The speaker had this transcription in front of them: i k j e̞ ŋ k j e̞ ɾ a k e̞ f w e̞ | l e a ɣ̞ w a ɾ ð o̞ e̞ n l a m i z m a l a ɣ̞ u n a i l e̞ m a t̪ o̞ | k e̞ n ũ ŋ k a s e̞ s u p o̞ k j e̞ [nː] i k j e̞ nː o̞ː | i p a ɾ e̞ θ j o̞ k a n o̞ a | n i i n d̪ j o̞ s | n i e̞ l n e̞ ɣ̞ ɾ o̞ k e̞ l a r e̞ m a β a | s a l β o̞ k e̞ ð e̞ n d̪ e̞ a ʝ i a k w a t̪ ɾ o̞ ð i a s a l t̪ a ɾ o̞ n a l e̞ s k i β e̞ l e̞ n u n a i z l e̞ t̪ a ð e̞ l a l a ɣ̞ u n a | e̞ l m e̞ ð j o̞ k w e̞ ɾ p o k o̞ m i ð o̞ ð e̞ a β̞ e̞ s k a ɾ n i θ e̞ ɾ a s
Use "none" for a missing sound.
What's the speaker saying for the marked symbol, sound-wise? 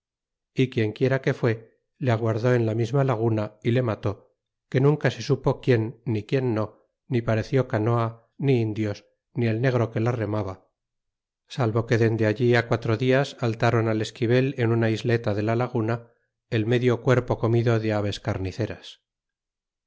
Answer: nː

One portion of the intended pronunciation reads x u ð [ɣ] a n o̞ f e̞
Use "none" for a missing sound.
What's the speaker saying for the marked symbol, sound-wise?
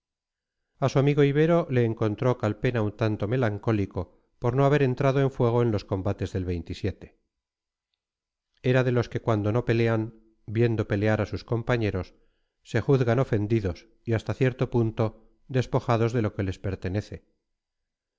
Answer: ɣ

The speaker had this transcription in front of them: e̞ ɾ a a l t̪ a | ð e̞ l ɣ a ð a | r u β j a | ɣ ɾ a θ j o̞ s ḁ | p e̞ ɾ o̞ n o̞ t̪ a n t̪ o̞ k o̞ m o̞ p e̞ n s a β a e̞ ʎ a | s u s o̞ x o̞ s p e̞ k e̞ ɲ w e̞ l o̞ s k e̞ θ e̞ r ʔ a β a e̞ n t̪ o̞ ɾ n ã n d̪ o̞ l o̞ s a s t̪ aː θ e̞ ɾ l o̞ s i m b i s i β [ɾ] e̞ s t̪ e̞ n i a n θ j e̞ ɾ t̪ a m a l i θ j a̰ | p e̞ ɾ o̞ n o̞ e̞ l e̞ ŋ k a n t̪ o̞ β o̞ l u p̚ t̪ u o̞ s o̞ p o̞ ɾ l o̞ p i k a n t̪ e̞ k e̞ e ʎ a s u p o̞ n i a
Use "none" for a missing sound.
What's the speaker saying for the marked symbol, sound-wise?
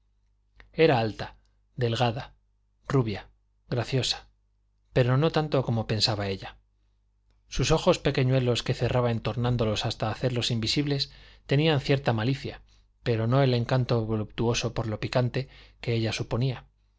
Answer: l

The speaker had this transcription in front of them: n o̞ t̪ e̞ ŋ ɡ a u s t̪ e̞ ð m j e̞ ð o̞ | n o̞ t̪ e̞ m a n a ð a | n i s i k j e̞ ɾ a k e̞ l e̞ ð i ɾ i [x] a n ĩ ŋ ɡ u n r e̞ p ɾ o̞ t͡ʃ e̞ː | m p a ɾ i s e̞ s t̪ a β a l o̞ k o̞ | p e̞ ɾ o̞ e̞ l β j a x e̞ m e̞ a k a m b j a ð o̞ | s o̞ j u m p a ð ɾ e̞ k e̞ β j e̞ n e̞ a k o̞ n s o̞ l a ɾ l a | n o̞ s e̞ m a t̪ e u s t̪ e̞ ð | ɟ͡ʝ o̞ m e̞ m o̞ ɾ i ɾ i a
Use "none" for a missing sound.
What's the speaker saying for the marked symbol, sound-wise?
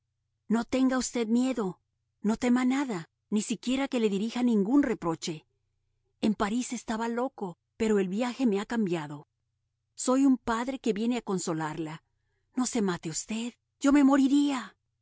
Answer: x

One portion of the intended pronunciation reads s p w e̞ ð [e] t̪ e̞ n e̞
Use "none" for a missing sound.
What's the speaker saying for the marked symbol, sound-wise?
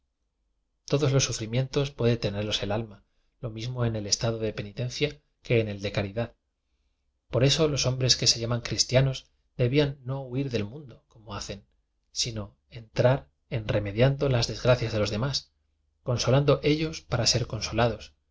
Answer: e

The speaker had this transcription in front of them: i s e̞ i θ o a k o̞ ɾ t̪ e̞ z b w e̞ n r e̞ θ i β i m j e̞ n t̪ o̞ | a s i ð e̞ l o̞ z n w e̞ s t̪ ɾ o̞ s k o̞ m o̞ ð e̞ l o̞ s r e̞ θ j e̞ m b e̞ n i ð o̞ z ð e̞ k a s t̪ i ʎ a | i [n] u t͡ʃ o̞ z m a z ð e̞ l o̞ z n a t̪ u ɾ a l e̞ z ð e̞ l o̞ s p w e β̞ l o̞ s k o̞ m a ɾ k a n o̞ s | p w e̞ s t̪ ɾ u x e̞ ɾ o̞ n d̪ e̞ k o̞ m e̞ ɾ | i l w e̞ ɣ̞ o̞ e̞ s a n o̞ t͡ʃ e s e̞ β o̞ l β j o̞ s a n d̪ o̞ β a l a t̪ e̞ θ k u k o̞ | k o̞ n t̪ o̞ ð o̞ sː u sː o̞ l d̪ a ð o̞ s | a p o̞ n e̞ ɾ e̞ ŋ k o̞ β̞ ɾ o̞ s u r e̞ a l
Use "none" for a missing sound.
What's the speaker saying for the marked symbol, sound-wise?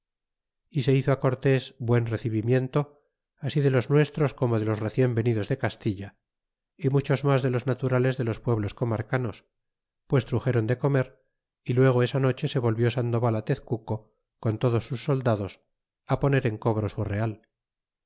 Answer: m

